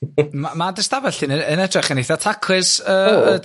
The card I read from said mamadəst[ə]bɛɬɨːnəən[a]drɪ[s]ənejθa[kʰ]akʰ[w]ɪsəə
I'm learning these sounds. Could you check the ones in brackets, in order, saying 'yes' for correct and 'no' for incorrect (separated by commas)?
no, no, no, no, yes